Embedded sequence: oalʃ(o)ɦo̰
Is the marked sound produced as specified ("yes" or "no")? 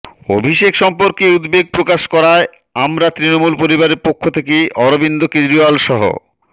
no